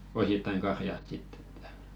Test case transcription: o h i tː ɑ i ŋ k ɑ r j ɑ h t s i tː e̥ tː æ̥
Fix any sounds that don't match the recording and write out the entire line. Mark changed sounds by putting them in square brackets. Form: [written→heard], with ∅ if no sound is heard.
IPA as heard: o [h→s] i tː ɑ i ŋ k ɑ r j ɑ [h→s] t s i tː e̥ tː æ̥